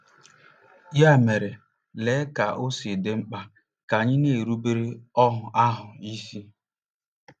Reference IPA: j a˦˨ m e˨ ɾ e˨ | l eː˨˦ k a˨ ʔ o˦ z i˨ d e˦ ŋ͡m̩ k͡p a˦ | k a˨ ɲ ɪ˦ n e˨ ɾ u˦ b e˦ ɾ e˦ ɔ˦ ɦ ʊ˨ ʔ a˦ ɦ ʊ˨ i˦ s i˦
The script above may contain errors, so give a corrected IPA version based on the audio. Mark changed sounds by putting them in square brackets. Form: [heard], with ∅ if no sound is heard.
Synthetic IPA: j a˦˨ m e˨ ɾ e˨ | l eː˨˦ k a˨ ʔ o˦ [s] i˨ d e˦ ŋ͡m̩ k͡p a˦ | k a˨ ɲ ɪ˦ n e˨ ɾ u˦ b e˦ ɾ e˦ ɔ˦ ɦ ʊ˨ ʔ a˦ ɦ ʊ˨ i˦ s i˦